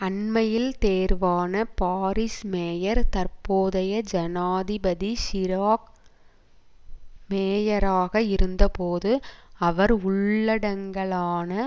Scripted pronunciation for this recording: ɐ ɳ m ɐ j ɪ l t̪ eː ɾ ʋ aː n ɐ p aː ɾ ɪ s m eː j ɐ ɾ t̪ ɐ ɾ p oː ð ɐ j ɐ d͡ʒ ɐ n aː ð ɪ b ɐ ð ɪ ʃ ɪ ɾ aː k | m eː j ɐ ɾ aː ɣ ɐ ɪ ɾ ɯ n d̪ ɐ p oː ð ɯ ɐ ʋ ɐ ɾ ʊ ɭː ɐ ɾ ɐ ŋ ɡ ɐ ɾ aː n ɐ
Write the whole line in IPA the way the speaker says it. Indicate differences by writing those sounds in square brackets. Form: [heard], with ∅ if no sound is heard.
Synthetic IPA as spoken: ɐ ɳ m ɐ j ɪ l t̪ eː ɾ ʋ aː n ɐ p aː ɾ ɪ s m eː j ɐ ɾ t̪ ɐ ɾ p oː ð ɐ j ɐ d͡ʒ ɐ n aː ð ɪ b ɐ ð [i] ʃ ɪ ɾ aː k | m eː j ɐ ɾ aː ɣ ɐ ɪ ɾ ɯ n d̪ ɐ p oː ð ɯ ɐ ʋ ɐ ɾ ʊ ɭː ɐ [ɽ] ɐ ŋ ɡ ɐ [ɭ] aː n ɐ